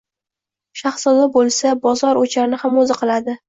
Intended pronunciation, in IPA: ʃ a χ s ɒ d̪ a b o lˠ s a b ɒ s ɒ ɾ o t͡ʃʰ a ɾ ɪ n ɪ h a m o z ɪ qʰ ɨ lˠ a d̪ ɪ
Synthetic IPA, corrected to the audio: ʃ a χ s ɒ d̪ a b o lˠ s a b ɒ z ɒ ɾ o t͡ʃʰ a ɾ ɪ n ɪ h a m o z ɪ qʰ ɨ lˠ a d̪ ɪ